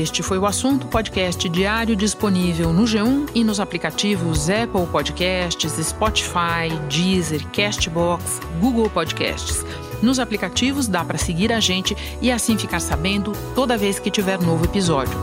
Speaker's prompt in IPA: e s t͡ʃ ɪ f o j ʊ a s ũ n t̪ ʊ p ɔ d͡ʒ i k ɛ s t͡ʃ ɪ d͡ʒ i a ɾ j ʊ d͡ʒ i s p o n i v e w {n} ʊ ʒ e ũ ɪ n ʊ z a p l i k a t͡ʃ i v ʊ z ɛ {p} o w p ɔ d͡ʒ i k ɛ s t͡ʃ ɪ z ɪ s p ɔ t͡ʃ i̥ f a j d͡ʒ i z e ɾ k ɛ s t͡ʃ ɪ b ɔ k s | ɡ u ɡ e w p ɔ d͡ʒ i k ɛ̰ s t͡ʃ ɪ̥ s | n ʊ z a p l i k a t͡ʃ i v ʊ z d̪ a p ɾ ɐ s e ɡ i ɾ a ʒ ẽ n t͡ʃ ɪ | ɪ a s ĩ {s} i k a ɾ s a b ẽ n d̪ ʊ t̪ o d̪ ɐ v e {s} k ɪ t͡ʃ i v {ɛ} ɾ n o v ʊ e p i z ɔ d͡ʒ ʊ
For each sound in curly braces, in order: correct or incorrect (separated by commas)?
correct, correct, incorrect, correct, correct